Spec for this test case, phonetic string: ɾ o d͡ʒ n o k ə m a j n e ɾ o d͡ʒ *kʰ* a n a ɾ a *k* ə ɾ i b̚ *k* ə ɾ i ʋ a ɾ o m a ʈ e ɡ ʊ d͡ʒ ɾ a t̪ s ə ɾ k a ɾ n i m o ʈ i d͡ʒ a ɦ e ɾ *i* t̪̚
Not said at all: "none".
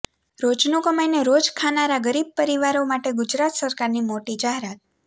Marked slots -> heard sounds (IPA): kʰ, ɡ, p, a

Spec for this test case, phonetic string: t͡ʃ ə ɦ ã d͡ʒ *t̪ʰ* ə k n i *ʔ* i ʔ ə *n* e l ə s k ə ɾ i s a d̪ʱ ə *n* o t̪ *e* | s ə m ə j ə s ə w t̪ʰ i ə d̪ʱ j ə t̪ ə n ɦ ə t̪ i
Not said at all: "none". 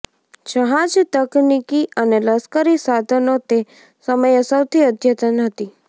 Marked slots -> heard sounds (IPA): t̪, k, n, n, e

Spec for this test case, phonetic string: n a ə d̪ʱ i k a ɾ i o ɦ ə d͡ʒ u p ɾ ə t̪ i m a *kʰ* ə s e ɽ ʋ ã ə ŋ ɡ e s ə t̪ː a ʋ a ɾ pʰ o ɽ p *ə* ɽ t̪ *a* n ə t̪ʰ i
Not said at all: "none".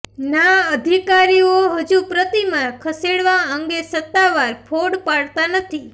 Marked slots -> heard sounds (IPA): kʰ, a, a

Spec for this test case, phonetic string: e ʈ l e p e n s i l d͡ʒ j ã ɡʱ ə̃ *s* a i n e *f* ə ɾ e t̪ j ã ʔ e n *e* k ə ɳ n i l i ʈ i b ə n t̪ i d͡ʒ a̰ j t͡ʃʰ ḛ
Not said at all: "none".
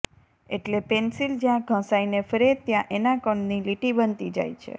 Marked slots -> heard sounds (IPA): s, f, a

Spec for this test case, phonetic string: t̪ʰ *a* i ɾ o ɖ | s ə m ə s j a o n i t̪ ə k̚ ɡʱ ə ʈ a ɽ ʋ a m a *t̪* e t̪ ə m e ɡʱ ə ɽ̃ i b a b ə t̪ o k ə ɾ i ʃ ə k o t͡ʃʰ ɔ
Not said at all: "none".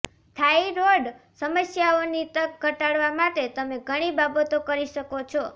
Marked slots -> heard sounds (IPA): a, t̪

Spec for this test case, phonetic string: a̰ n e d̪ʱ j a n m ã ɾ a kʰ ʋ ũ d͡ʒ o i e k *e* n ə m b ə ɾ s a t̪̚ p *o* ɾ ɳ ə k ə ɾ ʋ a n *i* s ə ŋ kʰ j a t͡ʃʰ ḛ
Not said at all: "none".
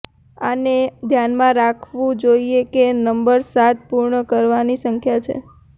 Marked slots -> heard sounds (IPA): e, u, i

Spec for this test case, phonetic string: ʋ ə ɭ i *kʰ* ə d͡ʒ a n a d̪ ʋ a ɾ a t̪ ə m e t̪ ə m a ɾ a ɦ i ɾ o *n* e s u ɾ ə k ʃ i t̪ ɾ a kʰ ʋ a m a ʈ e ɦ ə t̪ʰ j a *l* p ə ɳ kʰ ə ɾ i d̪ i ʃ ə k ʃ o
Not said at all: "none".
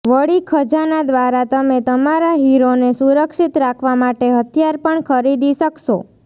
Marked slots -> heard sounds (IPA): kʰ, n, ɾ

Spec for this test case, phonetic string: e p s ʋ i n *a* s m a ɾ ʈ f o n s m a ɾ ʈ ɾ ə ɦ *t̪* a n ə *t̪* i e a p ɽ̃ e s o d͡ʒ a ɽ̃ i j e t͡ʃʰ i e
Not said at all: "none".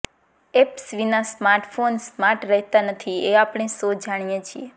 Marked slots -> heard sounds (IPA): a, t̪, t̪ʰ

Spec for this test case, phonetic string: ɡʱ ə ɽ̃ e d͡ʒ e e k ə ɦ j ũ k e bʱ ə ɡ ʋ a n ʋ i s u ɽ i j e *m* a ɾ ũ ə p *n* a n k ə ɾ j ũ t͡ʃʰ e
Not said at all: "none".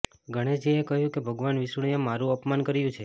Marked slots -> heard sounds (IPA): m, m

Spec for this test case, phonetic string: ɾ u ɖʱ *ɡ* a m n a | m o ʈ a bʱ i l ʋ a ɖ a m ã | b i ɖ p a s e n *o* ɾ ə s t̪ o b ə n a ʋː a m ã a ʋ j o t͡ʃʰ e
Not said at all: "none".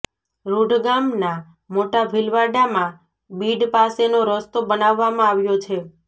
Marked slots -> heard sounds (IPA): ɡ, o

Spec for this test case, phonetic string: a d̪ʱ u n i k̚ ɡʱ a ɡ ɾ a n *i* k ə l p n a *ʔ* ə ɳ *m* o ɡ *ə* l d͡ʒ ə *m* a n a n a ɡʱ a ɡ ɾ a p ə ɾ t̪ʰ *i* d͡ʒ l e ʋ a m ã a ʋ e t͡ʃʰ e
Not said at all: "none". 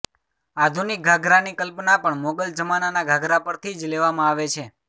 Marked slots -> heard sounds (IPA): i, p, m, ə, m, i

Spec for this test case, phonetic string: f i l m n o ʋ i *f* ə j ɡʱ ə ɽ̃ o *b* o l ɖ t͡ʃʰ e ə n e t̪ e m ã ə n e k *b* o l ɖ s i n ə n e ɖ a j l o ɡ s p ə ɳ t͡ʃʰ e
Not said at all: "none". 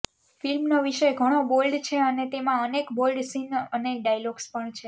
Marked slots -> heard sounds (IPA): ʃ, b, b

